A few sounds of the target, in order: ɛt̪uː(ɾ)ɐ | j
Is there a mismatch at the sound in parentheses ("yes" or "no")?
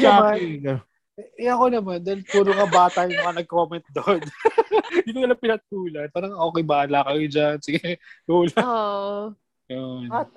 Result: yes